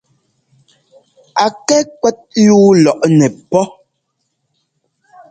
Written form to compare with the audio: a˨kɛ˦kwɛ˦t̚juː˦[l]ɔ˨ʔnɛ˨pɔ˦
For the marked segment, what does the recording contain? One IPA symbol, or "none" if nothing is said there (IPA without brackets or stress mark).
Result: l